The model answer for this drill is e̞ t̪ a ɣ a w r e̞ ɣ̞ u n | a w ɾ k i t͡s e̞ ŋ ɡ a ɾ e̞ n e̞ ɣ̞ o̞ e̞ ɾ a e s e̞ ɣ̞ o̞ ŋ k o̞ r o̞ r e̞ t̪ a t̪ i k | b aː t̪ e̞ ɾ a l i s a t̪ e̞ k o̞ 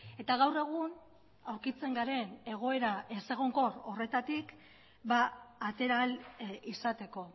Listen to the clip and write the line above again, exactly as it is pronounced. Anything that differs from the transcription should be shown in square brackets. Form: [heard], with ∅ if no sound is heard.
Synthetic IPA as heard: e̞ t̪ a ɣ a w r e̞ ɣ̞ u n | a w ɾ k i t͡s e̞ ŋ ɡ a ɾ e̞ n e̞ ɣ̞ o̞ e̞ ɾ a e s e̞ ɣ̞ o̞ ŋ k o̞ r o̞ r e̞ t̪ a t̪ i k | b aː t̪ e̞ ɾ a l i s a t̪ e̞ k o̞